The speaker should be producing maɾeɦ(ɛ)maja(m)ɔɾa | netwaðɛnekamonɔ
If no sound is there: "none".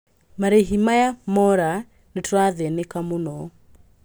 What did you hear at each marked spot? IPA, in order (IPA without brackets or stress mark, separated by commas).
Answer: i, m